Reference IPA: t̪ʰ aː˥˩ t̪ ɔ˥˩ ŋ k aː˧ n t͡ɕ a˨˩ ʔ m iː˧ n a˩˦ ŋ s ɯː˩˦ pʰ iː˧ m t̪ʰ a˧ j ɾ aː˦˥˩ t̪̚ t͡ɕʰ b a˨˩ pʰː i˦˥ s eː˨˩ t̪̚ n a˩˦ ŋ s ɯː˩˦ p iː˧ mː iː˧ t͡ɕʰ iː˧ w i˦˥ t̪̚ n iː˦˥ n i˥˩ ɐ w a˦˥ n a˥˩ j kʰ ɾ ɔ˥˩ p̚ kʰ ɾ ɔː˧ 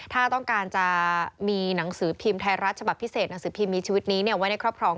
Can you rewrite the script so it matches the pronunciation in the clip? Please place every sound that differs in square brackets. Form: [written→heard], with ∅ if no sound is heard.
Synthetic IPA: t̪ʰ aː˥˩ t̪ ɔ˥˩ ŋ k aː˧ n t͡ɕ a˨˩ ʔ m iː˧ n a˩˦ ŋ s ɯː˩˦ pʰ iː˧ m t̪ʰ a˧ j ɾ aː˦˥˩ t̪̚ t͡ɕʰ b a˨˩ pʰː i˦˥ s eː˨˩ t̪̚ n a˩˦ ŋ s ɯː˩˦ [p→pʰ] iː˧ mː iː˧ t͡ɕʰ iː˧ w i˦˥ t̪̚ n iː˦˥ n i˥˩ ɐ w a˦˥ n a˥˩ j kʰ ɾ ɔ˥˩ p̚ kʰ ɾ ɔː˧